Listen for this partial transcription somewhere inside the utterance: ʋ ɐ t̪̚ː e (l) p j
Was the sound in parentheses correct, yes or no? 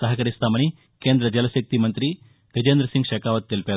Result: yes